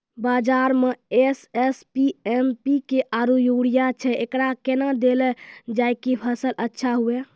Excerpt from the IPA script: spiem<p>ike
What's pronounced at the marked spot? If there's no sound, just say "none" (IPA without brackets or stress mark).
p